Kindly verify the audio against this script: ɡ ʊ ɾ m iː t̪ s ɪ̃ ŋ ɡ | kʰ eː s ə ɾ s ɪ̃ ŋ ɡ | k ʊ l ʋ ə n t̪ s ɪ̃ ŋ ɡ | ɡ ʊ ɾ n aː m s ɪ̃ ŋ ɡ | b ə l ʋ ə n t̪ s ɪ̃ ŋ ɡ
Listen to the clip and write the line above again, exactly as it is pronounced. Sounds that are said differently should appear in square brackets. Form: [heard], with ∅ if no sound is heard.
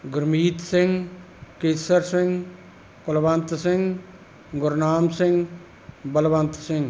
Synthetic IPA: ɡ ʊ ɾ m iː t̪ s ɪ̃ ŋ ɡ | [k] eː s ə ɾ s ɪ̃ ŋ ɡ | k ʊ l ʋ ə n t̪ s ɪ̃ ŋ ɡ | ɡ ʊ ɾ n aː m s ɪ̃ ŋ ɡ | b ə l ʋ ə n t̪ s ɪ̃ ŋ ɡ

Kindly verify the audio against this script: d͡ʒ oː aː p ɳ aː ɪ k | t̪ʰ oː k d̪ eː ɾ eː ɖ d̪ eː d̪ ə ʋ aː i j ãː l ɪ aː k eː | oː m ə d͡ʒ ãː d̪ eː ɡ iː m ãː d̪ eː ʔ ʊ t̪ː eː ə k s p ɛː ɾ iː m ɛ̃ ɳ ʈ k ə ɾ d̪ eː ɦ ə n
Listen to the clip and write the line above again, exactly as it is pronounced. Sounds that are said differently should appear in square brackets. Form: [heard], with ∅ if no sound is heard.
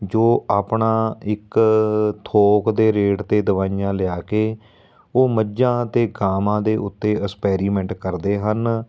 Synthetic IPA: d͡ʒ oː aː p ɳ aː ɪ k | t̪ʰ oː k d̪ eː ɾ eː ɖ [t̪] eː d̪ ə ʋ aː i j ãː l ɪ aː k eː | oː m ə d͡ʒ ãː [t̪] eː ɡ [aː] m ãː d̪ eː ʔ ʊ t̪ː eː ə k s p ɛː ɾ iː m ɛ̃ ɳ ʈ k ə ɾ d̪ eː ɦ ə n

